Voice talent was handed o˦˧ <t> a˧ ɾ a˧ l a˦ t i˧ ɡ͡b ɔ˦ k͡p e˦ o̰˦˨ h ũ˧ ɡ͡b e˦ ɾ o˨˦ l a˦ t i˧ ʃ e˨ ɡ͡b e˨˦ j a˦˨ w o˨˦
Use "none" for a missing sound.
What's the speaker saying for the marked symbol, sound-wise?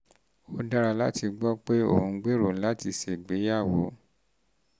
d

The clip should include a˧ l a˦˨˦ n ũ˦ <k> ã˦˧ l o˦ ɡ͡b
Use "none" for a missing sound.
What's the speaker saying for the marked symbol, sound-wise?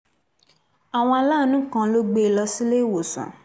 k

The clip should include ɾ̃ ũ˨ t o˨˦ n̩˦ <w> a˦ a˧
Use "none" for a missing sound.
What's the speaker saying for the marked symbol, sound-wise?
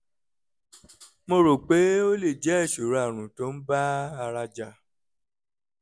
b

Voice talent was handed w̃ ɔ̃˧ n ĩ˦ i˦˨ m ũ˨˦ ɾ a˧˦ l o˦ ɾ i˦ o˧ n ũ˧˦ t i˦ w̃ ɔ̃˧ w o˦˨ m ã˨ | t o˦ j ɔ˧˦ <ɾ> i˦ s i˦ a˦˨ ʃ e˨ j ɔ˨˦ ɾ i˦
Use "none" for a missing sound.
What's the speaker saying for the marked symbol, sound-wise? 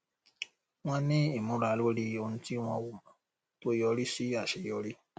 ɾ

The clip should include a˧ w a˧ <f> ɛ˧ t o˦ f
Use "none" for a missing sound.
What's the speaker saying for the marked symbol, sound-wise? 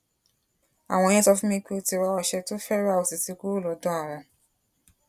ʃ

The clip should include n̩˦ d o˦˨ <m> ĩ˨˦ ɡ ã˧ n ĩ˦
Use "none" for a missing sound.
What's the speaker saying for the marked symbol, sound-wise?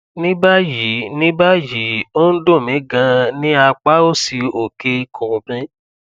m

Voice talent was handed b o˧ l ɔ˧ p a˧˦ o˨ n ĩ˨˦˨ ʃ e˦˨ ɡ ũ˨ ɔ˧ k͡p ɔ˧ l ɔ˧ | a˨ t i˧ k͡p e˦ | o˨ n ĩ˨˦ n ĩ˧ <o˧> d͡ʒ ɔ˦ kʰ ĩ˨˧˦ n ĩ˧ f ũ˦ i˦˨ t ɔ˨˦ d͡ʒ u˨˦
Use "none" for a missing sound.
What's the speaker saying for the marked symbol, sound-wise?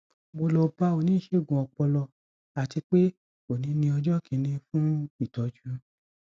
ɔ˧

